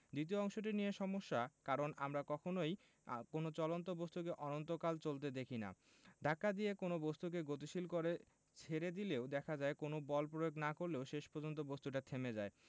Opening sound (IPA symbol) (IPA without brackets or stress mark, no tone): d̪